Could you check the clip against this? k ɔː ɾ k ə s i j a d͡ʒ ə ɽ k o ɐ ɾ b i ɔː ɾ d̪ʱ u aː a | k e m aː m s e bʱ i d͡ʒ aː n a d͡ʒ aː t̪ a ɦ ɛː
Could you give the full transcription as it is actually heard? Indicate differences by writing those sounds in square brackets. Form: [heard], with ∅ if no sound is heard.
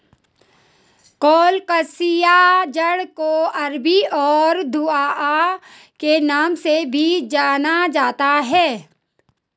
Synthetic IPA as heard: k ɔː [l] k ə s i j a d͡ʒ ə ɽ k o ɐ ɾ b i ɔː ɾ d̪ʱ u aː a | k e [n] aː m s e bʱ i d͡ʒ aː n a d͡ʒ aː t̪ a ɦ ɛː